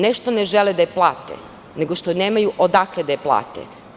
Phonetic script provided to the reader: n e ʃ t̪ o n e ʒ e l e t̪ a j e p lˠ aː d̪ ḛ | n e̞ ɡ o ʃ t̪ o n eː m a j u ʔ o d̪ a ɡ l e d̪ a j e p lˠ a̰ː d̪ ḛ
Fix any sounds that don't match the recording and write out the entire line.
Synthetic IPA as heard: n e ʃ t̪ o n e ʒ e l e d̪ a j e p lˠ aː t̪ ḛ | n e̞ ɡ o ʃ t̪ o n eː m a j u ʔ o d̪ a k l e d̪ a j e p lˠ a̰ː t̪ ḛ